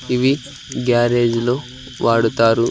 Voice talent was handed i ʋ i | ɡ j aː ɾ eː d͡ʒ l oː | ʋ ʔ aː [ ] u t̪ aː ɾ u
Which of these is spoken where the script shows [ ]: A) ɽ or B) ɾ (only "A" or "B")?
A